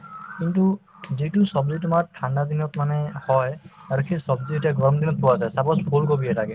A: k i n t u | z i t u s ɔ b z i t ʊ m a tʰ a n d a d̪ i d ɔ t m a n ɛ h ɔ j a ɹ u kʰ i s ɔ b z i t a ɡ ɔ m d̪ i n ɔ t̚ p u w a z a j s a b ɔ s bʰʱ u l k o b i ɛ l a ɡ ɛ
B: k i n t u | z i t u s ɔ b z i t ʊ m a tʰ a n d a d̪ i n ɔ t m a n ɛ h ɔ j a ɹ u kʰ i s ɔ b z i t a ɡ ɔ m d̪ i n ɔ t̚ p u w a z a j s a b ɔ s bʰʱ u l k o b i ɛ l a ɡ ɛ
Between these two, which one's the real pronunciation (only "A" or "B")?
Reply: B